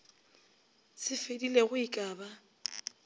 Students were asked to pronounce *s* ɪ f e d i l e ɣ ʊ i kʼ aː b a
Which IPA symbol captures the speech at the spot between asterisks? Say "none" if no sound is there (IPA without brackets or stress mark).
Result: s